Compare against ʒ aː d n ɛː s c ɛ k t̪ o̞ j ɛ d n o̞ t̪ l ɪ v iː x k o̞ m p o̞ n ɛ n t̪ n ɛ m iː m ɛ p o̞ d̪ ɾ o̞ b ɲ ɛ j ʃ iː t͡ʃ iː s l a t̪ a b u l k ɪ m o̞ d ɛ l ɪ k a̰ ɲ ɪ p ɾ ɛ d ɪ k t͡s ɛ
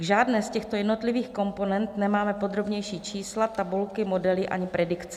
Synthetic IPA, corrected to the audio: ʒ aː d n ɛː s c ɛ x t̪ o̞ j ɛ d n o̞ t̪ l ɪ v iː x k o̞ m p o̞ n ɛ n t̪ n ɛ m aː m ɛ p o̞ d̪ ɾ o̞ b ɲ ɛ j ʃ iː t͡ʃ iː s l a t̪ a b u l k ɪ m o̞ d ɛ l ɪ ʔ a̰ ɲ ɪ p ɾ ɛ d ɪ k t͡s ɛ